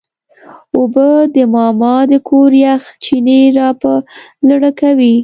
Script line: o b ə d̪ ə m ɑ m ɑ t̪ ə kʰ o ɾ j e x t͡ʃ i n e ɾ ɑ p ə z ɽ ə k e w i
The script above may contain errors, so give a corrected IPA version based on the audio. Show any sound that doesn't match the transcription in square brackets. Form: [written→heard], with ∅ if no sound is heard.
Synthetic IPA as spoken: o b ə d̪ ə m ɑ m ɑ [t̪→d̪] ə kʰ o ɾ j [e→a] x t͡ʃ i n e ɾ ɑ p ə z ɽ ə k [e→a] w i